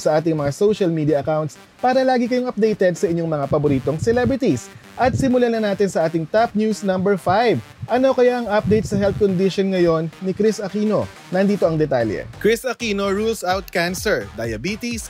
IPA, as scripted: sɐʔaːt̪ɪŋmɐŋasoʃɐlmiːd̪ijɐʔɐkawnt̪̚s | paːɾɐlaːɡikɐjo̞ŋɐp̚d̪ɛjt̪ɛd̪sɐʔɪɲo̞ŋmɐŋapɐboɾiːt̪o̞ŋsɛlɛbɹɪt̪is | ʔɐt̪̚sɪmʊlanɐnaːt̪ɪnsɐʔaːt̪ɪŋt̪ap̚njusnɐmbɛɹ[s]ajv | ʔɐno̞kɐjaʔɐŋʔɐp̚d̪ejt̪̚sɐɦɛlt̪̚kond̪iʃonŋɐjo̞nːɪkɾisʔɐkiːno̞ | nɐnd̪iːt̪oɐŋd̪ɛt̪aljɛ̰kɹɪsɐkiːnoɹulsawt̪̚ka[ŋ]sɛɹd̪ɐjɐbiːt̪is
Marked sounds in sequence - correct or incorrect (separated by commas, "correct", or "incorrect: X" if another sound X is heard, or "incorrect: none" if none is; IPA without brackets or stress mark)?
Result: incorrect: f, incorrect: n